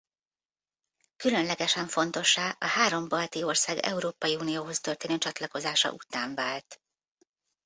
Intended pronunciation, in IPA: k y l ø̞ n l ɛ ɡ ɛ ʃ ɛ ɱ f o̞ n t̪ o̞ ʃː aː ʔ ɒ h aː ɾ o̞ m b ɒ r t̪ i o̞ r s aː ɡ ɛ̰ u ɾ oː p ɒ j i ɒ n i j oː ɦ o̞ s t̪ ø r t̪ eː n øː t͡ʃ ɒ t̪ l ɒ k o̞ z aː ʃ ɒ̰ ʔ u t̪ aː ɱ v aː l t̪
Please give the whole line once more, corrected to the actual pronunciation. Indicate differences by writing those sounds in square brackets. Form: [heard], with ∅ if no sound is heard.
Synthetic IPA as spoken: k y l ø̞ n l ɛ ɡ ɛ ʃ ɛ ɱ f o̞ n t̪ o̞ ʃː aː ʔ ɒ h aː ɾ o̞ m b ɒ [l] t̪ i o̞ r s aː ɡ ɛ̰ u ɾ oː p ɒ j i [u] n i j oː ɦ o̞ s t̪ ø r t̪ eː n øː t͡ʃ ɒ t̪ l ɒ k o̞ z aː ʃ ɒ̰ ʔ u t̪ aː ɱ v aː l t̪